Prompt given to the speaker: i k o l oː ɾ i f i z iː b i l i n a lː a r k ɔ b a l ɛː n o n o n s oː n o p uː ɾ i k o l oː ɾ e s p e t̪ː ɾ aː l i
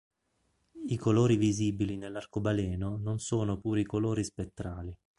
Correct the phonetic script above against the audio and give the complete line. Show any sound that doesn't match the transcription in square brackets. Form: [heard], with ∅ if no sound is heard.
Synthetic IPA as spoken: i k o l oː ɾ i [v] i z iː b i l i n [e] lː a r k [o] b a l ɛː n o n o n s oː n o p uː ɾ i k o l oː ɾ [i] s p e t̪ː ɾ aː l i